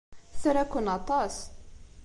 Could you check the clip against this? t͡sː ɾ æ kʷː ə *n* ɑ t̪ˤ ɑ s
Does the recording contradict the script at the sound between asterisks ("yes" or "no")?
no